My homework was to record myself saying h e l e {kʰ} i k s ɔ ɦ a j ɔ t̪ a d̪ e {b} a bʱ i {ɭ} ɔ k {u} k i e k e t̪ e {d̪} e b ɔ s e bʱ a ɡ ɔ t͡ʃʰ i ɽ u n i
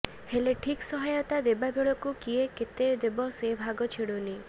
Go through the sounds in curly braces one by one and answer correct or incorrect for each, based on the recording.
incorrect: ʈʰ, correct, correct, correct, correct

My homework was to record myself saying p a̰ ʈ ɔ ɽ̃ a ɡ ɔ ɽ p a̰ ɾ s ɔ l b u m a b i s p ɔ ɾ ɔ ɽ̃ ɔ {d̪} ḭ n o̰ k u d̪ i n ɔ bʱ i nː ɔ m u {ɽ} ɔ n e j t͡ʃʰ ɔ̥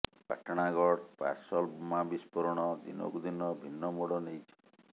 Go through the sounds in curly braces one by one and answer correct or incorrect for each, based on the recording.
correct, correct

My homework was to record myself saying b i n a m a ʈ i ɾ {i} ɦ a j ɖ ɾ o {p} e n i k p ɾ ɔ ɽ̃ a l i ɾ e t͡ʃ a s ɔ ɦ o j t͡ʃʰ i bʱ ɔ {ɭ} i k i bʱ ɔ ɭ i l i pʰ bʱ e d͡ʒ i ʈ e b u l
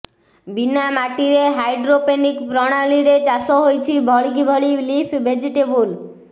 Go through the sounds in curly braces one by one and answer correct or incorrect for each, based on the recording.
incorrect: e, correct, correct

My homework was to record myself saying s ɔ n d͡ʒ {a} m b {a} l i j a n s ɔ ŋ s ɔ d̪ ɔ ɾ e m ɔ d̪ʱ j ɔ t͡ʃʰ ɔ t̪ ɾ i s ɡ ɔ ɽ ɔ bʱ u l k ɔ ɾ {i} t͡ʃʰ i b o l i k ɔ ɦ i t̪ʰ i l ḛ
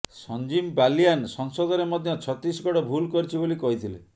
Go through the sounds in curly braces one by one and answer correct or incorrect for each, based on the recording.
incorrect: i, correct, correct

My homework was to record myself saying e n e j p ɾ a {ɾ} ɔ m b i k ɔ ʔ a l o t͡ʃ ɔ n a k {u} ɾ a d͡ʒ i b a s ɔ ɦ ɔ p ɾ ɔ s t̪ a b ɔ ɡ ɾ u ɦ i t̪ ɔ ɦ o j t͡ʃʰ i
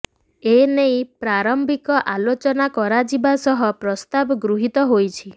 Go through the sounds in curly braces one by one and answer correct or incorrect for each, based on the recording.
correct, incorrect: ɔ

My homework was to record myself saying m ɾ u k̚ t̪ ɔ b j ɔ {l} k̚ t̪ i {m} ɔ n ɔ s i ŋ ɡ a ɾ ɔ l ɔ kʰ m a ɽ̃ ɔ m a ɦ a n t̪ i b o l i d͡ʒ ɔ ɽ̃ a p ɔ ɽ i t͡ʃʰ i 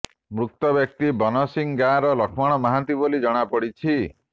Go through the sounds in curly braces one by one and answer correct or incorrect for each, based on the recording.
incorrect: none, incorrect: b

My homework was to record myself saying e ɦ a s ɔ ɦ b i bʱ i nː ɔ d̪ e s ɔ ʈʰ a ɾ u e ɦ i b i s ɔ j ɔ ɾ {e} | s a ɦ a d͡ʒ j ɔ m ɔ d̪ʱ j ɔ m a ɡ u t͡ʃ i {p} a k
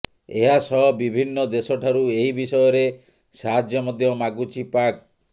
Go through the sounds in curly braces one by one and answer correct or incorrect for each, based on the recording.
correct, correct

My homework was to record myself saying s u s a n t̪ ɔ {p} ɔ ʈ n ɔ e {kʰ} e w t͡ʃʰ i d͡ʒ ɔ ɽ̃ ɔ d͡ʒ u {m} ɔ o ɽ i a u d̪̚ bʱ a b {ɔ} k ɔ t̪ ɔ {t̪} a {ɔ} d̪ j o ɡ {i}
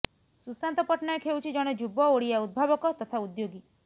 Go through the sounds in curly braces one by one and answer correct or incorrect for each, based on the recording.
correct, correct, incorrect: b, correct, incorrect: t̪ʰ, incorrect: u, correct

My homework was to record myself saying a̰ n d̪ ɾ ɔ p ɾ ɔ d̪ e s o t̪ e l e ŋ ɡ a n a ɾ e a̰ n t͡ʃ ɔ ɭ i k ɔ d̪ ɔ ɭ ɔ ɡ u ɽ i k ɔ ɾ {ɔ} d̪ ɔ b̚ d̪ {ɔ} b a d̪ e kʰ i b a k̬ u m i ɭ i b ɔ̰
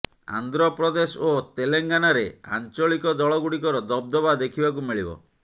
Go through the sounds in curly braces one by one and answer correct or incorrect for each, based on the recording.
correct, correct

